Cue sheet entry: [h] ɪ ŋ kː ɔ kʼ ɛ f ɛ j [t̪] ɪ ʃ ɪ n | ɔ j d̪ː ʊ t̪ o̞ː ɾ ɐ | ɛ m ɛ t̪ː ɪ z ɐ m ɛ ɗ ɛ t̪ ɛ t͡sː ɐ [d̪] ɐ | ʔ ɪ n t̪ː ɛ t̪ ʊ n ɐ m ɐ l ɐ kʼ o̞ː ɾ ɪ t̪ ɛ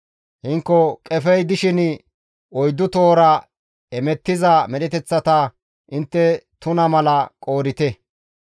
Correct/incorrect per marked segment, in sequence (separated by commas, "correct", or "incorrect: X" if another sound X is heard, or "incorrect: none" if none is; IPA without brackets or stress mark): correct, incorrect: d̪, incorrect: t̪